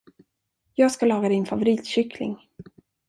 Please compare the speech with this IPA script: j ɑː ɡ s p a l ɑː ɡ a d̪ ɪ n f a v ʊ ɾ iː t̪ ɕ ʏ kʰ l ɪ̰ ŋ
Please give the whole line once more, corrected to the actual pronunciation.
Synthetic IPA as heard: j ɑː ɡ s k a l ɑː ɡ a d̪ ɪ n f a v ʊ ɾ iː t̪ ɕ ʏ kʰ l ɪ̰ ŋ